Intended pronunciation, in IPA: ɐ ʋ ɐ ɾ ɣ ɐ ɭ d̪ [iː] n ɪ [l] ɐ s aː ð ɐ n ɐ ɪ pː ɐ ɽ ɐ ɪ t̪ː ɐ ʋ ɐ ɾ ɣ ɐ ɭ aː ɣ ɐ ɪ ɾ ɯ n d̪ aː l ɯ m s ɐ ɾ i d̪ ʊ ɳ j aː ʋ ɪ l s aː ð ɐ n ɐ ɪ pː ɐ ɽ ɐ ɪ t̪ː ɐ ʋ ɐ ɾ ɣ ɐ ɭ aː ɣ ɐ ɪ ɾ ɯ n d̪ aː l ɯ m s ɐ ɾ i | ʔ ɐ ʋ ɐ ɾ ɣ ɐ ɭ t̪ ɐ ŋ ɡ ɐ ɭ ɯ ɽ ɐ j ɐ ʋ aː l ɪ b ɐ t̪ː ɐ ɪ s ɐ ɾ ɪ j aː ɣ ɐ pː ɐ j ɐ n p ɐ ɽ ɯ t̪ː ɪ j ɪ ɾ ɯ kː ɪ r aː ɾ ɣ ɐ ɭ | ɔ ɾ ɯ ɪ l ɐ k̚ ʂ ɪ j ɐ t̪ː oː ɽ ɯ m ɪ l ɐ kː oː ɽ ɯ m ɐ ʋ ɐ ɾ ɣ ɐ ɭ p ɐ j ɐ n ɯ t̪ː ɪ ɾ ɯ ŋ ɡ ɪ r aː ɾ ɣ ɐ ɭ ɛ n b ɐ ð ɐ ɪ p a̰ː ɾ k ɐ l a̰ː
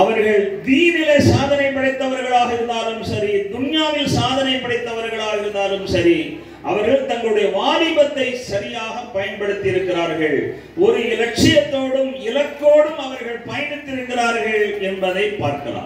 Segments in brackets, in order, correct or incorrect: correct, correct

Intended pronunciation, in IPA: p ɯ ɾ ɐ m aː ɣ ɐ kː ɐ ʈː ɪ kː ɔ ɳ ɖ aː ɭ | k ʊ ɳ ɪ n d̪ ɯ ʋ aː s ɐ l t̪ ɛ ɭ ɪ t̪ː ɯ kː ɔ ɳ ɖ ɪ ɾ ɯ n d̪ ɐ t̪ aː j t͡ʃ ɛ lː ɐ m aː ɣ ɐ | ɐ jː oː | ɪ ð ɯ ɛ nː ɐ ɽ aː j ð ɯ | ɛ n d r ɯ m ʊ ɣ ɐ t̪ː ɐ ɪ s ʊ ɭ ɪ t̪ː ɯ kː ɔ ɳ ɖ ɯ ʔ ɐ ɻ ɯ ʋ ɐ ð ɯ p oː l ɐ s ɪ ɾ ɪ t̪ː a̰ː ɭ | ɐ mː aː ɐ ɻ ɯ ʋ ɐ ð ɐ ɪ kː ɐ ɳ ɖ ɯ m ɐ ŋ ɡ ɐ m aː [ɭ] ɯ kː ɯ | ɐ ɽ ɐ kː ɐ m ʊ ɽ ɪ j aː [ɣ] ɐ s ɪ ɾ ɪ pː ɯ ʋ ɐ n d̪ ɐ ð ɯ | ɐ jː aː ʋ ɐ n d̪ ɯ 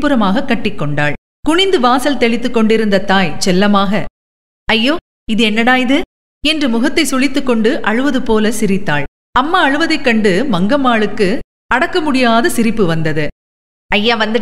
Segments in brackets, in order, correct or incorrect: correct, incorrect: ð

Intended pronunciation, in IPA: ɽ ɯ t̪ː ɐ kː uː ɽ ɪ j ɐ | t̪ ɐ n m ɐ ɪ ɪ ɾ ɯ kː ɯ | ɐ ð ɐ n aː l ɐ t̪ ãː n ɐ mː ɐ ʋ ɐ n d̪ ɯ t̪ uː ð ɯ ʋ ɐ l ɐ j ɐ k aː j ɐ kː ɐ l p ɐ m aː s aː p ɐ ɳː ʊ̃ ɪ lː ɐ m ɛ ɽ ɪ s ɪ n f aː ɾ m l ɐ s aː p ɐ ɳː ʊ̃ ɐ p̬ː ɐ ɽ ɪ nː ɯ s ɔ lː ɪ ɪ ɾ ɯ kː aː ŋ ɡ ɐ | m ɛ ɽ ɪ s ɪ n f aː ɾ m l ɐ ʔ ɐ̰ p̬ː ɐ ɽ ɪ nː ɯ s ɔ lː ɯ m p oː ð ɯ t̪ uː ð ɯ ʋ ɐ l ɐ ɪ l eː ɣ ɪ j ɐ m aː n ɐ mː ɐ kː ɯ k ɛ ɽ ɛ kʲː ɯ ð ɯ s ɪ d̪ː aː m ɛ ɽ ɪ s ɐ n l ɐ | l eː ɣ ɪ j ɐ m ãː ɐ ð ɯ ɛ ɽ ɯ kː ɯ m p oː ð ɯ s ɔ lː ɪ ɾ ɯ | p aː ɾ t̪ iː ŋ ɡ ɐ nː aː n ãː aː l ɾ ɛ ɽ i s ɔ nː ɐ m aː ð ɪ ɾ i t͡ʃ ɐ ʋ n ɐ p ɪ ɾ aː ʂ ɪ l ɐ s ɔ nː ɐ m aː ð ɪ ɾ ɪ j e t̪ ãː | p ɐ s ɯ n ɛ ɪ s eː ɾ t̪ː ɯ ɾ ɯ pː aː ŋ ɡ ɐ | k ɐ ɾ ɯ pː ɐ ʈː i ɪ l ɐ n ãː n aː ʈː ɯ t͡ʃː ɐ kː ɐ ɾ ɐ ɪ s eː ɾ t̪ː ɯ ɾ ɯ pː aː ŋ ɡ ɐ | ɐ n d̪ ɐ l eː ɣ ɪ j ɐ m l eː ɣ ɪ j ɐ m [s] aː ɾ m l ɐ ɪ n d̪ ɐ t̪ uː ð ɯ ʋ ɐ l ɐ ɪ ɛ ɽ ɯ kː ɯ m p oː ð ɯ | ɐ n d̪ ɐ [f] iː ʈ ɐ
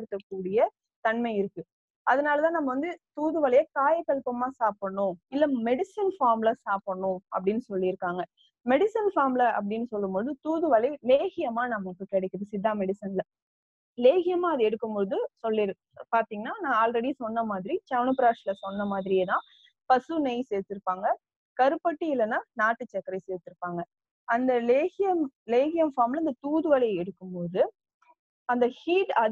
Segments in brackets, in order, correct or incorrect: incorrect: f, incorrect: h

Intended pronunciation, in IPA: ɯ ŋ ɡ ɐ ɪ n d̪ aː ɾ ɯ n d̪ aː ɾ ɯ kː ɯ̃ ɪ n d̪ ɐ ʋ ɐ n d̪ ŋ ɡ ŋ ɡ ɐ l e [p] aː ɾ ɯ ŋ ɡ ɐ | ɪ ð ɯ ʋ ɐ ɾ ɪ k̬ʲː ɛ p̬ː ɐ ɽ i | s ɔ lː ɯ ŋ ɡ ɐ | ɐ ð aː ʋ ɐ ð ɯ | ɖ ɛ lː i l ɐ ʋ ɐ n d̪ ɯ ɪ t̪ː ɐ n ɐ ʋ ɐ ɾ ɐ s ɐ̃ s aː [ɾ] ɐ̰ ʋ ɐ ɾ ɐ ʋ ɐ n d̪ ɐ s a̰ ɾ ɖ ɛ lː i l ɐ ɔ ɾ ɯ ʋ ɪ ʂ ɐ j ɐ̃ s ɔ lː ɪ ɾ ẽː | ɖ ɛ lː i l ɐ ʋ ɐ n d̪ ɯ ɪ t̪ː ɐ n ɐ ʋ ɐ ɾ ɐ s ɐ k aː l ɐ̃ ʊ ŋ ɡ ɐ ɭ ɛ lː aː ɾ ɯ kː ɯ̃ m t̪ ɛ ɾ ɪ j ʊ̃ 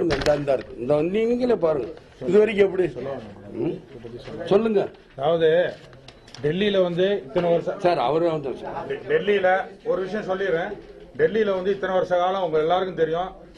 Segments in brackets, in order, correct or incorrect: correct, correct

